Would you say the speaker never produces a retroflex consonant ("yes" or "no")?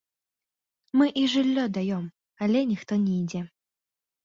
no